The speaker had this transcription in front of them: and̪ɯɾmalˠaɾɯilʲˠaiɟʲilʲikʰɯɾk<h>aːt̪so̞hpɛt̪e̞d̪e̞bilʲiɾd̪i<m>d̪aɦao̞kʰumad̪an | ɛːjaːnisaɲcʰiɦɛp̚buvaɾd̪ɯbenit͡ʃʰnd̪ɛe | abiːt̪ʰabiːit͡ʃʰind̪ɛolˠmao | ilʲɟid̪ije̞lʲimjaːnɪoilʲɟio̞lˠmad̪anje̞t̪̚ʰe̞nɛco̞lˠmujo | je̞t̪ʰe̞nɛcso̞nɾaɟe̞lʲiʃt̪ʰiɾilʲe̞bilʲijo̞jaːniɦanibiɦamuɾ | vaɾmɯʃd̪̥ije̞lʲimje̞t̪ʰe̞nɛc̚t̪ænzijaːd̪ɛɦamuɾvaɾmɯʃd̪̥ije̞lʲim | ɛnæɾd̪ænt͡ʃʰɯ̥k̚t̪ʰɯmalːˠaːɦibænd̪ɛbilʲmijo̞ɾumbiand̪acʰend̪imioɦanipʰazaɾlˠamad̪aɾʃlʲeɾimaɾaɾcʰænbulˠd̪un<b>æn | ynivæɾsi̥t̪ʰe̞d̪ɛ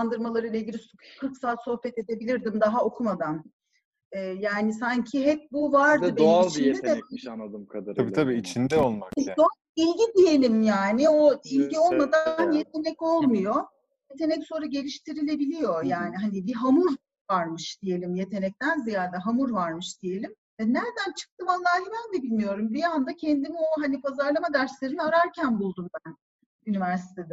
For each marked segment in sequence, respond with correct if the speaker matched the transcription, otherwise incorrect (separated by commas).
incorrect, correct, correct